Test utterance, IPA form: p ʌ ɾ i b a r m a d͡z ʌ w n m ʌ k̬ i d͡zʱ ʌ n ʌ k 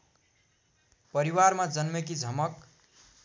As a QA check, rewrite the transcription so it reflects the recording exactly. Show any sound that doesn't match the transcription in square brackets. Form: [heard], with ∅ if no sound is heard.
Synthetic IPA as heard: p ʌ ɾ i [w] a r m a d͡z ʌ [∅] n m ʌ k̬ i d͡zʱ ʌ [m] ʌ k